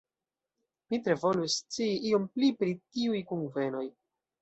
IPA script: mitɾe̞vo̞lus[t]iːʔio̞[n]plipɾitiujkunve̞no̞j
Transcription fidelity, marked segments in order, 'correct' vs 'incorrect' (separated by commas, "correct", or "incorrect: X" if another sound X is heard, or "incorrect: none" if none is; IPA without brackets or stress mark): incorrect: t͡s, incorrect: m